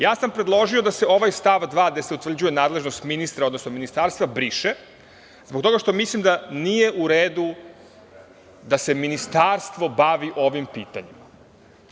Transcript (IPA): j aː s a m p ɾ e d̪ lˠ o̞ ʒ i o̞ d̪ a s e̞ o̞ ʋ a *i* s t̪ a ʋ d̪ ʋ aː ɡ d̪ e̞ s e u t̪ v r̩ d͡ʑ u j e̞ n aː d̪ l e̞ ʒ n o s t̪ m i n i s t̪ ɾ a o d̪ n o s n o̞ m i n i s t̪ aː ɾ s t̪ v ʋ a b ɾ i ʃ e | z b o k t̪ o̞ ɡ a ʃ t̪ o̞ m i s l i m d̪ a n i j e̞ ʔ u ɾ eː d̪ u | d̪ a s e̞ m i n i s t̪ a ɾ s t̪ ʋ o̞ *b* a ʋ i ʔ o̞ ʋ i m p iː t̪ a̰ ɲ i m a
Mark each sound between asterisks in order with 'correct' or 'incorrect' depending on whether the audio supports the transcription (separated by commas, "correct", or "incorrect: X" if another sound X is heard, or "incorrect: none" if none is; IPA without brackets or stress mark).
incorrect: j, correct